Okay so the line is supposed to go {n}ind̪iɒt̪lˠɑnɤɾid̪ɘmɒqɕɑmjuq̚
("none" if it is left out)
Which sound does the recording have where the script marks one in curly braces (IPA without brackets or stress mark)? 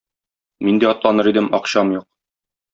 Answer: m